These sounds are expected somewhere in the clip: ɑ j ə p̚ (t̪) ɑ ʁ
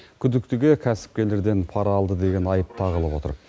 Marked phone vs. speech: incorrect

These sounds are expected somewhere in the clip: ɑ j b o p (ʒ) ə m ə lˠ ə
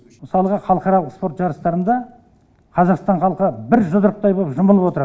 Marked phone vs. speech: correct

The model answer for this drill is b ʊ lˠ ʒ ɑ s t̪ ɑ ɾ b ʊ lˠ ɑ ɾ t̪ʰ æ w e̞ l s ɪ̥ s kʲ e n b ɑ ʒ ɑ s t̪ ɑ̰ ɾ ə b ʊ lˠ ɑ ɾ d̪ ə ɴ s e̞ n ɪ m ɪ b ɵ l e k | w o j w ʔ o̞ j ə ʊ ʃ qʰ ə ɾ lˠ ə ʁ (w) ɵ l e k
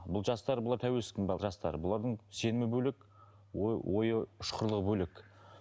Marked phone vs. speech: incorrect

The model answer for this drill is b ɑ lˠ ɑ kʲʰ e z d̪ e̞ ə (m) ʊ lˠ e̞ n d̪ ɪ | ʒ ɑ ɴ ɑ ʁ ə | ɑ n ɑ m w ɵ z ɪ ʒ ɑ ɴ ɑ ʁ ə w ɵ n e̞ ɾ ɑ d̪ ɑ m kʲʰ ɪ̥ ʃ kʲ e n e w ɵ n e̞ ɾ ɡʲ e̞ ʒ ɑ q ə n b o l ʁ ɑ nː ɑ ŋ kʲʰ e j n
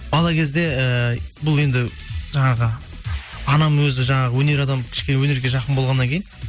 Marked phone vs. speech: incorrect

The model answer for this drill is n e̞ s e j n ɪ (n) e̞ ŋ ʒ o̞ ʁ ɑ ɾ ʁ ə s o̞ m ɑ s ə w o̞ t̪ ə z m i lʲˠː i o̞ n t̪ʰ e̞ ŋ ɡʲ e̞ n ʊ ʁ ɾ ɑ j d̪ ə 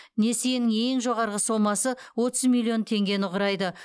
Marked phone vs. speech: incorrect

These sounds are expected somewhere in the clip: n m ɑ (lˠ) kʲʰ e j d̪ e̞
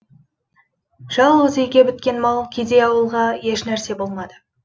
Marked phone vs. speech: correct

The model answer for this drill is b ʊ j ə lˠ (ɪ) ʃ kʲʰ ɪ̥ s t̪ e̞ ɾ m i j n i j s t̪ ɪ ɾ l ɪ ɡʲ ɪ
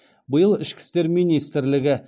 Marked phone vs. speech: correct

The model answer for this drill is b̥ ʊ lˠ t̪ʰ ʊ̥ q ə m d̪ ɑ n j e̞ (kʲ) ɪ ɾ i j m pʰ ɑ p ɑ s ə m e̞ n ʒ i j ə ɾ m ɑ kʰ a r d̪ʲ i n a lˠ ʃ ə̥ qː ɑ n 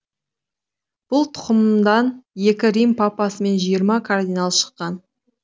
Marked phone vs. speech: correct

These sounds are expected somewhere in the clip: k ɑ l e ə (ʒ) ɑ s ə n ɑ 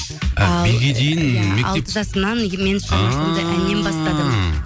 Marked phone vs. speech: correct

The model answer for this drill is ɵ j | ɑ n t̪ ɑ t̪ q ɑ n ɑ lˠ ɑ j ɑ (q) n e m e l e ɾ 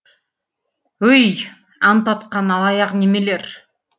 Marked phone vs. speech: correct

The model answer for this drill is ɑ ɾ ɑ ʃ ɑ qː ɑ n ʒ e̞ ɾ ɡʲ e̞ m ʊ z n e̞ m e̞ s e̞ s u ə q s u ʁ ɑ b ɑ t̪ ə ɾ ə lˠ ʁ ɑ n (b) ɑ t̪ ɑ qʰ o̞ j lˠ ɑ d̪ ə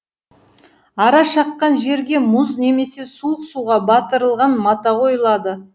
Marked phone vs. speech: incorrect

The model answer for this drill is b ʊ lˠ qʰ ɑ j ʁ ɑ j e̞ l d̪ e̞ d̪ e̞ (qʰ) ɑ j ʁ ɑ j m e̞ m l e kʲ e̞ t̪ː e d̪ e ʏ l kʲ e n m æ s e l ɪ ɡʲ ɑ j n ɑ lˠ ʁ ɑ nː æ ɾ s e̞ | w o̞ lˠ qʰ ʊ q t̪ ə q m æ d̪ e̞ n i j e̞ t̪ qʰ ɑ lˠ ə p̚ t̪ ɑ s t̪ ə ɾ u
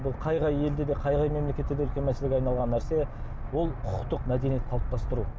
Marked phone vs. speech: correct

